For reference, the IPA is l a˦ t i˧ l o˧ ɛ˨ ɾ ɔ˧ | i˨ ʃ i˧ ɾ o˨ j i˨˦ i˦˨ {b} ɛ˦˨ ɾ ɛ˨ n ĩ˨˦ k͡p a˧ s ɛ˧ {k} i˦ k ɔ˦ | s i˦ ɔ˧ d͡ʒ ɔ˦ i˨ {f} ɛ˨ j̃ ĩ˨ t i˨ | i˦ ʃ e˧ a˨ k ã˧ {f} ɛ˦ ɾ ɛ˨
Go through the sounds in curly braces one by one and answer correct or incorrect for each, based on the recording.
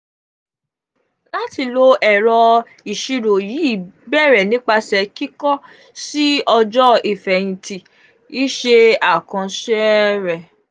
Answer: correct, correct, correct, incorrect: ʃ

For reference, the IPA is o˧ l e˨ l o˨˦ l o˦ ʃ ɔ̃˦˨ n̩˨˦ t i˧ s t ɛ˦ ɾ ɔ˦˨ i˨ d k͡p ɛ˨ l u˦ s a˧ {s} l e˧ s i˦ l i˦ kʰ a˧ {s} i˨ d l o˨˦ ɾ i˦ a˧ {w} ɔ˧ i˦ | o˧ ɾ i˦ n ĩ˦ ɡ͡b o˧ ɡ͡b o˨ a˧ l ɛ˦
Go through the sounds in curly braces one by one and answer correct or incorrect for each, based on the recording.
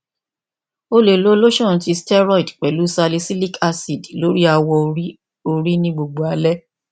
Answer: incorrect: none, correct, correct

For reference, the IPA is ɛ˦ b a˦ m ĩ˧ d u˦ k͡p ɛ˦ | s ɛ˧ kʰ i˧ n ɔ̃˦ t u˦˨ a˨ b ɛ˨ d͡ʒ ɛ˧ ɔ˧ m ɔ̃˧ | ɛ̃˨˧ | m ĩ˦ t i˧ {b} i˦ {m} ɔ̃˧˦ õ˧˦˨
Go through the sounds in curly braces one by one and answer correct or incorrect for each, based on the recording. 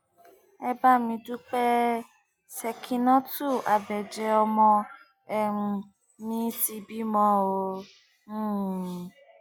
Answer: correct, correct

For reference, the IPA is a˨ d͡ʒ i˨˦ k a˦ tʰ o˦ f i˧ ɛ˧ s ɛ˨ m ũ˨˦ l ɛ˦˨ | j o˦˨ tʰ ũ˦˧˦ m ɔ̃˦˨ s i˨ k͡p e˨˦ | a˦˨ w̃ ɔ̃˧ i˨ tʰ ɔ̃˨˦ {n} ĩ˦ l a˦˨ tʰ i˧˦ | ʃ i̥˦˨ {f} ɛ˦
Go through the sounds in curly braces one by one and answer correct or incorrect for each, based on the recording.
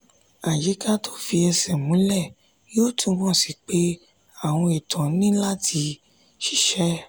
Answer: correct, incorrect: ʃ

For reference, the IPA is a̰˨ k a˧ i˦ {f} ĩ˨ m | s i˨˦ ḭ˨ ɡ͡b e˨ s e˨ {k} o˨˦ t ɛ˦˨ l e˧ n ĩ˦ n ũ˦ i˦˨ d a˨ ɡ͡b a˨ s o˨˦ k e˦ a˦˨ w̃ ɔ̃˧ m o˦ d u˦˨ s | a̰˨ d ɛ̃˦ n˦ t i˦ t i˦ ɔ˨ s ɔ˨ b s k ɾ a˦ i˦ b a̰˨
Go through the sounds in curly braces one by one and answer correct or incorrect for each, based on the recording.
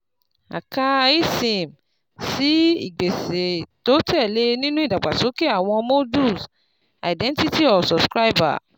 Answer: incorrect: s, incorrect: t

